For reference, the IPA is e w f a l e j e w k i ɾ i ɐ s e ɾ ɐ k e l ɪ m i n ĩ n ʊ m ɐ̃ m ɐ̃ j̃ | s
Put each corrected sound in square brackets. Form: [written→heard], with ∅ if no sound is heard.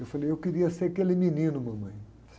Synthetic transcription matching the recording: e w f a l e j e w k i ɾ i ɐ s e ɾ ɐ k e l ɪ m i n ĩ n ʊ m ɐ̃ m ɐ̃ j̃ | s